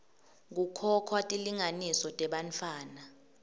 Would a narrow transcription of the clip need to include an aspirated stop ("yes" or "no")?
yes